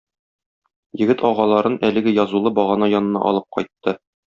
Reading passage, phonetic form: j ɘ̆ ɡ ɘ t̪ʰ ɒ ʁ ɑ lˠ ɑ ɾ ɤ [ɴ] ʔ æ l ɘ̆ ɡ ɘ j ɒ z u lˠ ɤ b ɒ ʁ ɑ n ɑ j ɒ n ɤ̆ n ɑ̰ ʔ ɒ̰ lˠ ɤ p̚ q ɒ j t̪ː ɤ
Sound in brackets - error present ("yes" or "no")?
yes